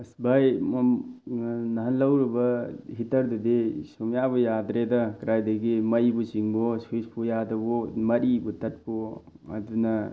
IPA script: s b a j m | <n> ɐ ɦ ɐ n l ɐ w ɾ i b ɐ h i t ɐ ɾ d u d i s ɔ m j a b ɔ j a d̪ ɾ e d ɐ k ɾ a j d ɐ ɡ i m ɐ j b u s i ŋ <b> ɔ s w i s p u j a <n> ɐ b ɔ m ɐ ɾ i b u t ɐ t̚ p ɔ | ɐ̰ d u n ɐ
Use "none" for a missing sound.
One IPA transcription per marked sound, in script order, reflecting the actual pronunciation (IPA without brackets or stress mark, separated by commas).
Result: n, b, d